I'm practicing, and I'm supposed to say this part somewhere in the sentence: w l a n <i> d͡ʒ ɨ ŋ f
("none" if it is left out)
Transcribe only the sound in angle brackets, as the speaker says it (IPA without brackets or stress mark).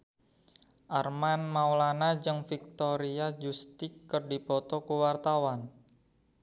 a